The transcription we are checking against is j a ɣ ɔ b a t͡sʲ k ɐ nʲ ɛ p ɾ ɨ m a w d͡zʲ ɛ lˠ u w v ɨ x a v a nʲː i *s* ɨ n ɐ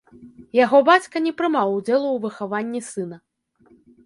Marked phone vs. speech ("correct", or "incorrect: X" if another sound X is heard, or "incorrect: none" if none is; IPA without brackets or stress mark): correct